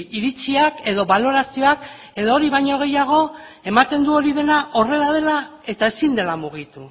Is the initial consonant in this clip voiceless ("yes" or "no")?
no